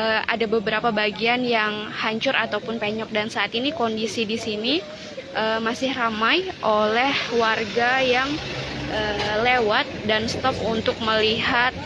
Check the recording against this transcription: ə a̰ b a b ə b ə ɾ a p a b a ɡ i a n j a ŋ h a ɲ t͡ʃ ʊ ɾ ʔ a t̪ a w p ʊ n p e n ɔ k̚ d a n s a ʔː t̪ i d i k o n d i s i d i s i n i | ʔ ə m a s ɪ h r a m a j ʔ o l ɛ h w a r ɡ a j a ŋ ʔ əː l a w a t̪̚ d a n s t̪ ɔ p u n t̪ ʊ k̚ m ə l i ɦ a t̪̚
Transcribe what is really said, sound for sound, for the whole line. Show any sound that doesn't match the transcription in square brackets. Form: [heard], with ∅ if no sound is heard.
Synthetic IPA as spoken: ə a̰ [d] a b ə b ə ɾ a p a b a ɡ i a n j a ŋ h a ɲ t͡ʃ ʊ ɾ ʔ a t̪ a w p ʊ n p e [ɲ] ɔ k̚ d a n s a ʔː t̪ i [n] i k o n d i s i d i s i n i | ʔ ə m a s ɪ h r a m a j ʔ o l ɛ h w a r ɡ a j a ŋ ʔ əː l [e] w a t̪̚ d a n s t̪ ɔ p u n t̪ ʊ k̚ m ə l i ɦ a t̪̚